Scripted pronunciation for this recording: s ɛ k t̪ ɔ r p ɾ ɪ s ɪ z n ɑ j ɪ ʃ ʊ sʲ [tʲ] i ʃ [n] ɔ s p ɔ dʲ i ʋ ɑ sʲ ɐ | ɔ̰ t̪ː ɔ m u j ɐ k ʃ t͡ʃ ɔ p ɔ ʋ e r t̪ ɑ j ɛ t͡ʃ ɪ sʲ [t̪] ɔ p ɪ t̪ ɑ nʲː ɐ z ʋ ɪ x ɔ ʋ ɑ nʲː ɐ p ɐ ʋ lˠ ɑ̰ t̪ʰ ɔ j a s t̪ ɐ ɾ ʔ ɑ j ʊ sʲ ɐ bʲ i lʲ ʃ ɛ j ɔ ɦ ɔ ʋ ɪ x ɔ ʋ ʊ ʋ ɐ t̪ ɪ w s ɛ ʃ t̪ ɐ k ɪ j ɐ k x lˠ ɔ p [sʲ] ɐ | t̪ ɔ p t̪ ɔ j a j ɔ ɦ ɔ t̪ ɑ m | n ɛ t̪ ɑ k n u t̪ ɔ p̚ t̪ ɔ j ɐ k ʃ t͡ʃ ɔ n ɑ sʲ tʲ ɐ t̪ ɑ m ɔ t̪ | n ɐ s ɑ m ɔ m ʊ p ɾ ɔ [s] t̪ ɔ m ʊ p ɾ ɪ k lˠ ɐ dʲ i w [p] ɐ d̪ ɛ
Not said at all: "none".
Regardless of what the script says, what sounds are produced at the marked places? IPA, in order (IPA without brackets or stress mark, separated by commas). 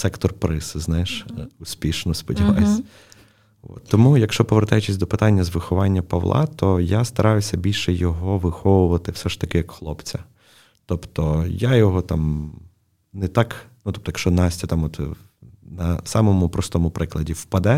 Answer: pʲ, n, d̪, t͡sʲ, s, p